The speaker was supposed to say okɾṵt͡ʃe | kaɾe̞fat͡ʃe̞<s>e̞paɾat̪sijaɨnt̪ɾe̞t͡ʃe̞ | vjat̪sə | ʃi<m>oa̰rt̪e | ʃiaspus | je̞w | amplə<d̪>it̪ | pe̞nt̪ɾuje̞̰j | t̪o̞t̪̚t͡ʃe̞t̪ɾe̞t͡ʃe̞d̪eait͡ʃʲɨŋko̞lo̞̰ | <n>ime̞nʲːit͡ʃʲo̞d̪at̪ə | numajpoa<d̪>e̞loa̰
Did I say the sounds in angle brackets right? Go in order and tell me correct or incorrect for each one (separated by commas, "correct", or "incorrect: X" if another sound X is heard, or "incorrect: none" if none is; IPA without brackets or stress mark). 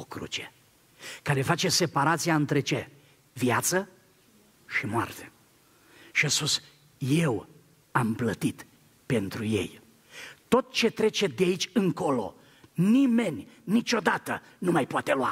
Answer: correct, correct, incorrect: t̪, correct, incorrect: t̪